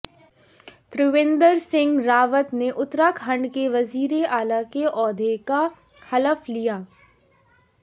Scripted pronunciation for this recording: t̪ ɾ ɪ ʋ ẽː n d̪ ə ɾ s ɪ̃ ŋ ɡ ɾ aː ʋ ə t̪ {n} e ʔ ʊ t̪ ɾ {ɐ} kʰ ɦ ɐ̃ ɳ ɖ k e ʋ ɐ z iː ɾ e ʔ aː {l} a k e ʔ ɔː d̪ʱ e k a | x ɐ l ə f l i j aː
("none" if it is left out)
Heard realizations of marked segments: n, a, l

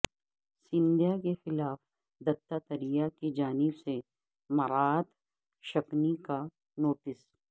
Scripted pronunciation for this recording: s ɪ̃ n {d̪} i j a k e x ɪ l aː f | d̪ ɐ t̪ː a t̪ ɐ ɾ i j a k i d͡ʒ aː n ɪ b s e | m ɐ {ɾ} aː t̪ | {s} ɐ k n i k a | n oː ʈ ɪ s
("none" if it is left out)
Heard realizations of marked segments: d̪, ɾ, ʃ

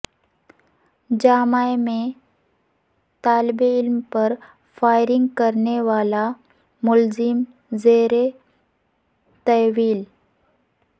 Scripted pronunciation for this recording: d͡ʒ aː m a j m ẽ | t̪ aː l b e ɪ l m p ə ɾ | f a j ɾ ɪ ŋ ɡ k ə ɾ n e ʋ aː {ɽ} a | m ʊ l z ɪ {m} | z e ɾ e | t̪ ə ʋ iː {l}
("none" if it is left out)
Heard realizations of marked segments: l, m, l

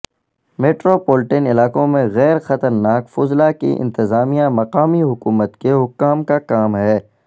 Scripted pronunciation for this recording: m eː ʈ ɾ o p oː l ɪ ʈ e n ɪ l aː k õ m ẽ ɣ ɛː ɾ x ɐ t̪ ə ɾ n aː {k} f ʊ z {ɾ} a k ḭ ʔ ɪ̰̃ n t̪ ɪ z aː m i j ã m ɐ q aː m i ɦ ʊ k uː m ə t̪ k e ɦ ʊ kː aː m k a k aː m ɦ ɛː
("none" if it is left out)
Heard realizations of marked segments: k, l

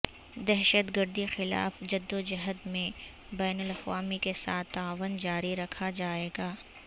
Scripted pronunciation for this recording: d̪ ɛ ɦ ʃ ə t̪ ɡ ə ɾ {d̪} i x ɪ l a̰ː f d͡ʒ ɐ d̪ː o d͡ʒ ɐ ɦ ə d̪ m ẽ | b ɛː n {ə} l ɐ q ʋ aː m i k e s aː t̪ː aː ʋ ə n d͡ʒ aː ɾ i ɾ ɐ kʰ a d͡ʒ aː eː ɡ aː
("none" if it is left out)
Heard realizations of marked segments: d̪, ə

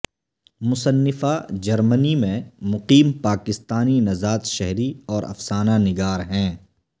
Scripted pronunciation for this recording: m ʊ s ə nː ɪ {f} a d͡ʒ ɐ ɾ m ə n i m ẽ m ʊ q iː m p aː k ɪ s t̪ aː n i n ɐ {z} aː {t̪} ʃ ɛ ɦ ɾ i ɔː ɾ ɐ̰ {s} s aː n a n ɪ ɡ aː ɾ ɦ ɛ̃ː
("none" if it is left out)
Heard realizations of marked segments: f, z, t̪, f

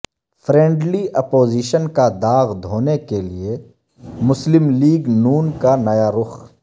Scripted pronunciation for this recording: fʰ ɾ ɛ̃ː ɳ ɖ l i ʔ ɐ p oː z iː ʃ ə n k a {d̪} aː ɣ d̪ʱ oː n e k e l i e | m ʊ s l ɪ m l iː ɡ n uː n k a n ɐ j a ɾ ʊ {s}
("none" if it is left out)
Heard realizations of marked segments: d̪, x

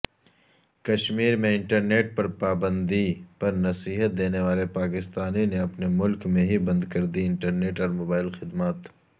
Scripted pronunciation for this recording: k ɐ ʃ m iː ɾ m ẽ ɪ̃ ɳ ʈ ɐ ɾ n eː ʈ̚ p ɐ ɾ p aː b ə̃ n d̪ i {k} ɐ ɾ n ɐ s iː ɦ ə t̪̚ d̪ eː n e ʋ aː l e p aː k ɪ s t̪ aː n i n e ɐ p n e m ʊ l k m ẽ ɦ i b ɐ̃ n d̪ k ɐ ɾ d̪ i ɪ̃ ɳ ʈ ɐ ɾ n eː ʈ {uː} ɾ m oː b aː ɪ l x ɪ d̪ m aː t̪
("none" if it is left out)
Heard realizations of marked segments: p, ɔː

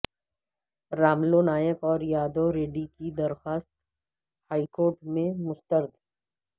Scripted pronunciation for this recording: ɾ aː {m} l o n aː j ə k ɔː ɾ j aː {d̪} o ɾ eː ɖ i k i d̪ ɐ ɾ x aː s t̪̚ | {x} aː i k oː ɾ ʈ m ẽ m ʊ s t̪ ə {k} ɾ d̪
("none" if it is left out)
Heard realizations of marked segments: m, d̪, h, none

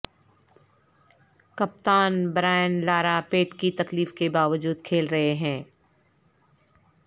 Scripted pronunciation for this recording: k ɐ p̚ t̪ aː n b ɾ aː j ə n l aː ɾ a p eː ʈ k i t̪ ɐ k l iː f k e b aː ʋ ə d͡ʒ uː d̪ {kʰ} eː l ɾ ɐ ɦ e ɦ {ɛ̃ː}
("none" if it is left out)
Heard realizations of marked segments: kʰ, ɛ̃ː

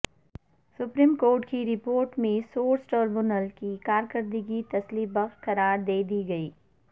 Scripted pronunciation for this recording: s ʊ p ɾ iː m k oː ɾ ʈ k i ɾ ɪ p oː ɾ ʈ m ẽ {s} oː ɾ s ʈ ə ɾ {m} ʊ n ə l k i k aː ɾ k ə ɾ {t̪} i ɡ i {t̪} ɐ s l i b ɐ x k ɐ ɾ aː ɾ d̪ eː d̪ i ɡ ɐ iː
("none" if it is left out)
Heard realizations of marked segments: s, b, d̪, t̪

